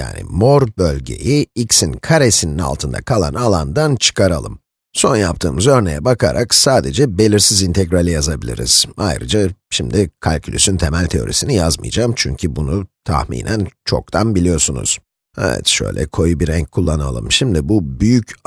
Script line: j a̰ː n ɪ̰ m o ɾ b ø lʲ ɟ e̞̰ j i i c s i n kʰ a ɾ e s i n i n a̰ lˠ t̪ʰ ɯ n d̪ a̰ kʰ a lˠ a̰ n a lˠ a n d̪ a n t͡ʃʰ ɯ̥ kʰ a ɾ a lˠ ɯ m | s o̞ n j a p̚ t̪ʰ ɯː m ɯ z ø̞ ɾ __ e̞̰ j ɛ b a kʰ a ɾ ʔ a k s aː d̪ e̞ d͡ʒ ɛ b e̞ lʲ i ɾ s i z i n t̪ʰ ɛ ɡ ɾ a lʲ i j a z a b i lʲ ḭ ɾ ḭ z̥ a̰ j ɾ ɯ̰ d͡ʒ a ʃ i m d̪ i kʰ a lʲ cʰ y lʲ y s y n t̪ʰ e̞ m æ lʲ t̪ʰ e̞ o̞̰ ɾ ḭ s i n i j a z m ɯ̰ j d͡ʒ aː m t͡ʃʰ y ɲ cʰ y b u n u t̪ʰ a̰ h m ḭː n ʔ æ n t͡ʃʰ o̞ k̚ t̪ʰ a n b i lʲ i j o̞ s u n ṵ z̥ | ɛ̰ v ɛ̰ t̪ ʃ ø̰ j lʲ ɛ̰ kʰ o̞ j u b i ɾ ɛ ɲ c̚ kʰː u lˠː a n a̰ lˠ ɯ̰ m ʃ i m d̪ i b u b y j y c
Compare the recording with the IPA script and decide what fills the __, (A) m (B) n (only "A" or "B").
B